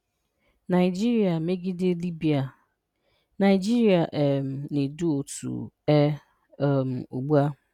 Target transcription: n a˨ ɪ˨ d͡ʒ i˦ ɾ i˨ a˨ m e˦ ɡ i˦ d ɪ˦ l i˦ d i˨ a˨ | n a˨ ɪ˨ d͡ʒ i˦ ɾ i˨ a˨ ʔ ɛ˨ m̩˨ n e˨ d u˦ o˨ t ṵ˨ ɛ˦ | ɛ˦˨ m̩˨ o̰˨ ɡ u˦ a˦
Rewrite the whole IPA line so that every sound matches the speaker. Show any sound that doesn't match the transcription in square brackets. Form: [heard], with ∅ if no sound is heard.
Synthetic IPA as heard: n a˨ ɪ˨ d͡ʒ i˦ ɾ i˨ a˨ m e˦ ɡ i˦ d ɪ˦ l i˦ [b] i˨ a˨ | n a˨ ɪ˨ d͡ʒ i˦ ɾ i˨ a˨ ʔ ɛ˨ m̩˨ n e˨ d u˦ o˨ t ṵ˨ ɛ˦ | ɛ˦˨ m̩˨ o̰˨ [ɡ͡b] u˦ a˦